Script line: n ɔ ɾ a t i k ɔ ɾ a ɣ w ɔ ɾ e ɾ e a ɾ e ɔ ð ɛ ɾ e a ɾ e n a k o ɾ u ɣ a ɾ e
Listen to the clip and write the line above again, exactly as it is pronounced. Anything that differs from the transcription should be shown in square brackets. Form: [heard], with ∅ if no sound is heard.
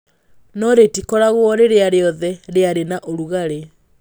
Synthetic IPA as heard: n ɔ ɾ [e] t i k ɔ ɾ a ɣ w ɔ ɾ e ɾ e a ɾ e ɔ ð ɛ ɾ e a ɾ e n a [ʔ] o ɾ u ɣ a ɾ e